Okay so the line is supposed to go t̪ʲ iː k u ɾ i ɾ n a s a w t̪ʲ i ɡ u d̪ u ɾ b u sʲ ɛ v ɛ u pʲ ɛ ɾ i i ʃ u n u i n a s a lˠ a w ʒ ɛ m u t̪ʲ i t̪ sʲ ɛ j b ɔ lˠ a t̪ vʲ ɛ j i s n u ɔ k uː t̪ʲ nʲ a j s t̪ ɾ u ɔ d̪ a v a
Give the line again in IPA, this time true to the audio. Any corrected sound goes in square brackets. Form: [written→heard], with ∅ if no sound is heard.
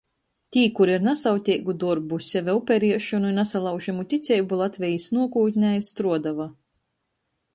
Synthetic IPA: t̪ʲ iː k u ɾ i ɾ n a s a w t̪ʲ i ɡ u d̪ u ɾ b u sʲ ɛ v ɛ u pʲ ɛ ɾ i [i→ɛ] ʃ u n u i n a s a lˠ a w ʒ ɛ m u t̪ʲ i t̪ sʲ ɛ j b [ɔ→u] lˠ a t̪ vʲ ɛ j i s n u ɔ k uː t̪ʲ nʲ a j s t̪ ɾ u ɔ d̪ a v a